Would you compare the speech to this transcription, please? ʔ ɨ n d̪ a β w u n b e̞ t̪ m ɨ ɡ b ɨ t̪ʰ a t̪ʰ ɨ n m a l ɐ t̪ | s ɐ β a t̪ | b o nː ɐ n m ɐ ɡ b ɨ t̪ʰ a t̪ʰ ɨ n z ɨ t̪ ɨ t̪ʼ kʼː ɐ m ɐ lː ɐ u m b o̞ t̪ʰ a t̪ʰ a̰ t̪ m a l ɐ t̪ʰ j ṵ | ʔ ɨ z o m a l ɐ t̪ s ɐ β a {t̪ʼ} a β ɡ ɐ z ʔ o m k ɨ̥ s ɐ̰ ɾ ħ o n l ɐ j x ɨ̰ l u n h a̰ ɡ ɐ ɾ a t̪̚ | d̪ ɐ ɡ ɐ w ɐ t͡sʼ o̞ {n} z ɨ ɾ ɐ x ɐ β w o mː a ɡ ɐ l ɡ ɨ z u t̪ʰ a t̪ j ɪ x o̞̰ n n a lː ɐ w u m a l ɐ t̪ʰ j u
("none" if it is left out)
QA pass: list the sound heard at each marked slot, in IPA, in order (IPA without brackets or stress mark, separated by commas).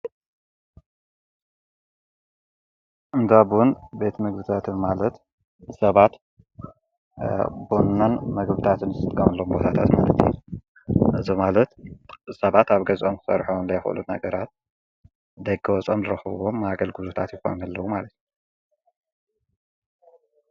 t̪, m